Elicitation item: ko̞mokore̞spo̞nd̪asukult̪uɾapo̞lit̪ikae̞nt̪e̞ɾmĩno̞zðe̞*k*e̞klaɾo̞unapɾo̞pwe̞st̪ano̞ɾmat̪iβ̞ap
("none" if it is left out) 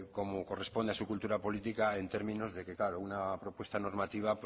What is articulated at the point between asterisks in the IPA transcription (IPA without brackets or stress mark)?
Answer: k